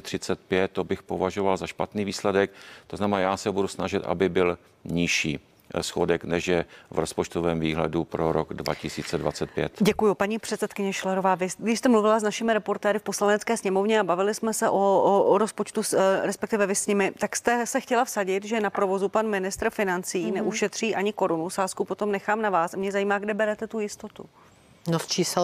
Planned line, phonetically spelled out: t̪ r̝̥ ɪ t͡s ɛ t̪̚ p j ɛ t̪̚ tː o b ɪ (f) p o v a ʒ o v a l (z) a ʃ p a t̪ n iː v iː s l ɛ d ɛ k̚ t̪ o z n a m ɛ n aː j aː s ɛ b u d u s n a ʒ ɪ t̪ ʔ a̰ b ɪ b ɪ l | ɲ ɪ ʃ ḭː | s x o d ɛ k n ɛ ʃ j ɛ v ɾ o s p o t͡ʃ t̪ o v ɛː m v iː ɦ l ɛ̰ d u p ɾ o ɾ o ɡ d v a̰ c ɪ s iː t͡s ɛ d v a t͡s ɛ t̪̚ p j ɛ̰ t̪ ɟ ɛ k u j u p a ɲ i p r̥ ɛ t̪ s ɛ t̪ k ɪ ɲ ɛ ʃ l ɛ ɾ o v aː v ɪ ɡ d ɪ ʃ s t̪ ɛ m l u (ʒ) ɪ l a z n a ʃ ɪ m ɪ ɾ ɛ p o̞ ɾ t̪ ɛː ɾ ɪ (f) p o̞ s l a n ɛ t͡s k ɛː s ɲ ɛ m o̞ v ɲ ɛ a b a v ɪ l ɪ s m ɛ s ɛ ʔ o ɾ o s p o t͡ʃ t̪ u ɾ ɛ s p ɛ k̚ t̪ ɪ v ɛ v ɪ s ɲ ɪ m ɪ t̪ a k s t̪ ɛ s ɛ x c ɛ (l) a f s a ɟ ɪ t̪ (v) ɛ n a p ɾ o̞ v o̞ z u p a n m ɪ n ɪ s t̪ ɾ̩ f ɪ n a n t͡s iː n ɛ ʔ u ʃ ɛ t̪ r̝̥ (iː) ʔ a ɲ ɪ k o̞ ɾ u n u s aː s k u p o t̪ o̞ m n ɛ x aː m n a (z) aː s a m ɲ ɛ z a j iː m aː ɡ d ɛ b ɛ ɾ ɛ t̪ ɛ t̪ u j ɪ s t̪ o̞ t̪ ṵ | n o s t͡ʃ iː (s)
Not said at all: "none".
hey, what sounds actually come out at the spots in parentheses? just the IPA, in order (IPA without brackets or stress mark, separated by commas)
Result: x, z, v, f, l, ʒ, iː, v, s